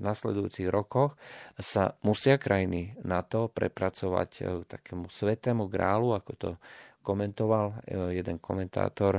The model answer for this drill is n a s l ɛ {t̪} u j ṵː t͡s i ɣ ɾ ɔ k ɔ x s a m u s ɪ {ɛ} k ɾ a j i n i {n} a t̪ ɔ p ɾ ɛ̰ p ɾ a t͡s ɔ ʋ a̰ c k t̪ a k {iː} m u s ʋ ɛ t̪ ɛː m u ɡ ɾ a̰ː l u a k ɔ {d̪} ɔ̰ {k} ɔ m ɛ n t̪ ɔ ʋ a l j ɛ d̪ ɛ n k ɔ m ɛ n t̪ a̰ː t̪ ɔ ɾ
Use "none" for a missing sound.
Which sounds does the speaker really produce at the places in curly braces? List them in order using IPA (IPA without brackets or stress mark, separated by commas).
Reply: d̪, a, n, ɛː, t̪, k